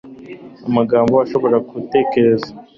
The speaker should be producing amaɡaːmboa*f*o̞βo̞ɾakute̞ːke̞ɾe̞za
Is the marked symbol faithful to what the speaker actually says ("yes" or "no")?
no